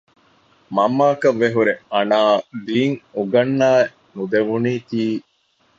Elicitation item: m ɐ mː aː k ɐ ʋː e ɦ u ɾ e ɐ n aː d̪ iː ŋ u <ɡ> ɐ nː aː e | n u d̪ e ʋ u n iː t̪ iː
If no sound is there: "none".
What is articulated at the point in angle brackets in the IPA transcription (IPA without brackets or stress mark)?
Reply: ɡ